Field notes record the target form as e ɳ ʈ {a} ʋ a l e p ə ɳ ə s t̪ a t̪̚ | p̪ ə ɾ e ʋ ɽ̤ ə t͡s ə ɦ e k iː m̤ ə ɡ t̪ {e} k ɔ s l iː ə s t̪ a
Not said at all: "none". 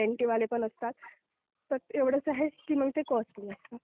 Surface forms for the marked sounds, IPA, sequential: i, e

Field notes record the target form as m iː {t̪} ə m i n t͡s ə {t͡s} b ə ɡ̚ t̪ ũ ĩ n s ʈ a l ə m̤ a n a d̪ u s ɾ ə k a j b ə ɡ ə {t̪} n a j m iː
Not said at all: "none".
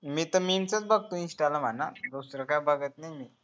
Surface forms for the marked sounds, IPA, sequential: t̪, t͡s, t̪

